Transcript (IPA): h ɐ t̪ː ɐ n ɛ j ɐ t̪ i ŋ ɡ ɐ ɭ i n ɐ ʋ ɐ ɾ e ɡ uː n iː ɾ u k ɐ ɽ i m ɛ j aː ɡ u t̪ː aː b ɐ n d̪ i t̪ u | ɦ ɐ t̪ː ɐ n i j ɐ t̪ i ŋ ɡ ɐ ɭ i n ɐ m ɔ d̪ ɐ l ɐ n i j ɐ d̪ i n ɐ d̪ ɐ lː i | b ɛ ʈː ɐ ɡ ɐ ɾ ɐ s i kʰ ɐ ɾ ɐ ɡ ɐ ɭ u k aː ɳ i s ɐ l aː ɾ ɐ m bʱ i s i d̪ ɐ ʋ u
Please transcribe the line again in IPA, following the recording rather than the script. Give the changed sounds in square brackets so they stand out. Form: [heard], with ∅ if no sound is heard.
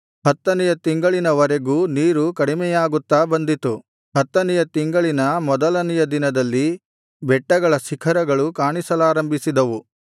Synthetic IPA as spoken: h ɐ t̪ː ɐ n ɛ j ɐ t̪ i ŋ ɡ ɐ ɭ i n ɐ ʋ ɐ ɾ e ɡ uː n iː ɾ u k ɐ ɽ i m ɛ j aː ɡ u t̪ː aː b ɐ n d̪ i t̪ u | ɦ ɐ t̪ː ɐ n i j ɐ t̪ i ŋ ɡ ɐ ɭ i n ɐ m ɔ d̪ ɐ l ɐ n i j ɐ d̪ i n ɐ d̪ ɐ lː i | b ɛ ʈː ɐ ɡ ɐ [ɭ] ɐ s i kʰ ɐ ɾ ɐ ɡ ɐ ɭ u k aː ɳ i s ɐ l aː ɾ ɐ m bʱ i s i d̪ ɐ ʋ u